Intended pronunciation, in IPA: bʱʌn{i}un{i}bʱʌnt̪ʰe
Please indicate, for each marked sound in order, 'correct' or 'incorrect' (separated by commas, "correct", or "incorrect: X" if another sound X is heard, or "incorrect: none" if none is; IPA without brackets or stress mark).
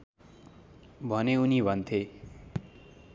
incorrect: e, correct